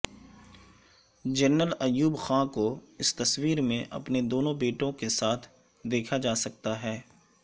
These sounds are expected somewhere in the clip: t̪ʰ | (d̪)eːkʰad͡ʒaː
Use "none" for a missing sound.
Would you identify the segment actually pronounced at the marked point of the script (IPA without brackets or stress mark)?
d̪